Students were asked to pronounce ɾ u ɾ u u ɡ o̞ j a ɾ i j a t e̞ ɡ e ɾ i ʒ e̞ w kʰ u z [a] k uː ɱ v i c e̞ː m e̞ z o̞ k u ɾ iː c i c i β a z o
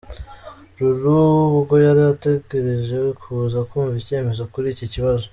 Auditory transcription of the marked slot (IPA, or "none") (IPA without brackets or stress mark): a